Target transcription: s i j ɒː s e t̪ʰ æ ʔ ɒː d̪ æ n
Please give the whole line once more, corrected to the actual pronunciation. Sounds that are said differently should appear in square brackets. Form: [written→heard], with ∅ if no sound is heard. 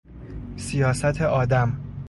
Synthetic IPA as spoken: s i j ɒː s [e→æ] t̪ʰ [æ→e] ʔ ɒː d̪ æ [n→m]